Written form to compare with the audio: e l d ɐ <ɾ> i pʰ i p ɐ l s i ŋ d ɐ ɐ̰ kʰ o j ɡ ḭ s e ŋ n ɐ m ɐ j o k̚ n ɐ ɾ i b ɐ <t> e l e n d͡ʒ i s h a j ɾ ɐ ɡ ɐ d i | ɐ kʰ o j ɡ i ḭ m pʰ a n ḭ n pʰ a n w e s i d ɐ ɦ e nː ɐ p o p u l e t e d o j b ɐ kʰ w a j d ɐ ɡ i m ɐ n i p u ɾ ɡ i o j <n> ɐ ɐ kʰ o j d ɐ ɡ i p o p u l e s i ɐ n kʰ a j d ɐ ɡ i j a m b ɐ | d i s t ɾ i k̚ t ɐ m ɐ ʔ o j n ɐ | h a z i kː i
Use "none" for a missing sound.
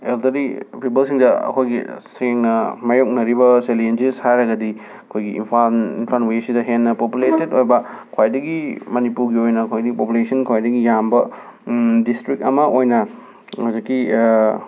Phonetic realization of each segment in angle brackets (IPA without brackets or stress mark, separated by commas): ɾ, s, n